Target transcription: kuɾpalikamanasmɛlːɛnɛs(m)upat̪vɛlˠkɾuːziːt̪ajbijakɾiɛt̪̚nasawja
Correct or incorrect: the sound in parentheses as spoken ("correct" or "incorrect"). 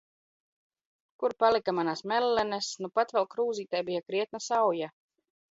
incorrect